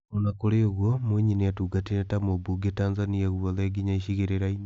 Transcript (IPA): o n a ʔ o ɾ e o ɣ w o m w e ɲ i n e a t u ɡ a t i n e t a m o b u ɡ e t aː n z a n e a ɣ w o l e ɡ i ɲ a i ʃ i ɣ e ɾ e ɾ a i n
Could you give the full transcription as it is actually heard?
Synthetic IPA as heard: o n a k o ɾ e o ɣ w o m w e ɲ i n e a t u ɡ a t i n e t a m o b u ɡ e t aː n z a n i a ɣ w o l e ɡ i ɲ a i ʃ i ɣ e ɾ e ɾ a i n